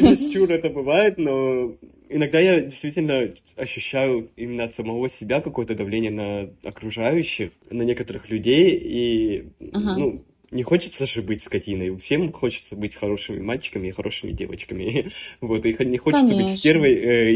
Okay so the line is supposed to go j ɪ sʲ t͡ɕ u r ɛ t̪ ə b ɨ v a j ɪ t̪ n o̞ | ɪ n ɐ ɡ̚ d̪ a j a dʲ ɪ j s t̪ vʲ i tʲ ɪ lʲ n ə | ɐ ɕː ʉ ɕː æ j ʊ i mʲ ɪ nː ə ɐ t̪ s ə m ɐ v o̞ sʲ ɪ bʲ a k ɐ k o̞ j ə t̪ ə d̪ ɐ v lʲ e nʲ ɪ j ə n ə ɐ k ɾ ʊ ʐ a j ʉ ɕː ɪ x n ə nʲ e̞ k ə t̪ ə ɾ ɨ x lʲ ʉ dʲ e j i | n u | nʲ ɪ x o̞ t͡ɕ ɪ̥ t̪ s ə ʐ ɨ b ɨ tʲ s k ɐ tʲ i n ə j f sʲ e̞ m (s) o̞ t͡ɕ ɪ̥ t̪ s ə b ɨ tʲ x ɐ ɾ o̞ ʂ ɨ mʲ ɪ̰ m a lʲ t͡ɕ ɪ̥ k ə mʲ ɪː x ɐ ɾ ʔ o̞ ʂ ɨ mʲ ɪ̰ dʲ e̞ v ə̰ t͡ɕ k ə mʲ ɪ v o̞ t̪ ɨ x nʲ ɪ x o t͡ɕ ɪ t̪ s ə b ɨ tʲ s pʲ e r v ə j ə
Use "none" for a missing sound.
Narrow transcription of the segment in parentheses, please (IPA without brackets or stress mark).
x